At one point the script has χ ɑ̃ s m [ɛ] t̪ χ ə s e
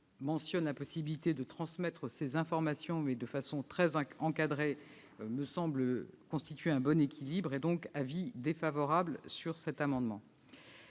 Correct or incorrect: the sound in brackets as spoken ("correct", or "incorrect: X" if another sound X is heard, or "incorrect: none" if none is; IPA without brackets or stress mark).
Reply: correct